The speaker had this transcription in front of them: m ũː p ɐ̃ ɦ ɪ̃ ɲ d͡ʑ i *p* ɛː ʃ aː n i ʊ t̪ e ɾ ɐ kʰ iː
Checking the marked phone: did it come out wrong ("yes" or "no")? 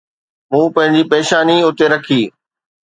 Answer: no